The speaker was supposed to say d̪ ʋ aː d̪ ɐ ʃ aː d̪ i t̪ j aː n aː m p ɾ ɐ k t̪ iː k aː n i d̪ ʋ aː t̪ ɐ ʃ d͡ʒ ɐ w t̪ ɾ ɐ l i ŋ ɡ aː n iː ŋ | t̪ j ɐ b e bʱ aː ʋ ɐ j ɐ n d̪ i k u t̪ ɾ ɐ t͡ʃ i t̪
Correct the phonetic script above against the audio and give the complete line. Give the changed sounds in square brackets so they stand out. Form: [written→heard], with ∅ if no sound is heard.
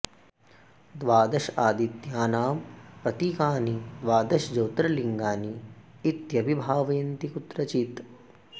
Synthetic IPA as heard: d̪ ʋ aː d̪ ɐ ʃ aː d̪ i t̪ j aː n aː m p ɾ ɐ [k→∅] t̪ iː k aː n i d̪ ʋ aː [t̪→d̪] ɐ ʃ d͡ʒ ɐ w t̪ ɾ ɐ l i ŋ ɡ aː n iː [ŋ→∅] | t̪ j ɐ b [e→i] bʱ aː ʋ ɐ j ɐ n [d̪→t̪] i k u t̪ ɾ ɐ t͡ʃ i t̪